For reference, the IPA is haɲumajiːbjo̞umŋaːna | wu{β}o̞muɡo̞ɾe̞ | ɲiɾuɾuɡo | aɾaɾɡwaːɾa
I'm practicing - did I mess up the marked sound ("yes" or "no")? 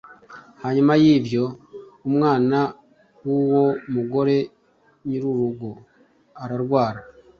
yes